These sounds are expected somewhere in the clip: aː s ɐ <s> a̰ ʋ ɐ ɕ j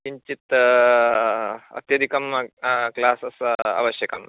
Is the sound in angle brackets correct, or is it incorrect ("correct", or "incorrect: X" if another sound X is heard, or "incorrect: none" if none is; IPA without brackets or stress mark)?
correct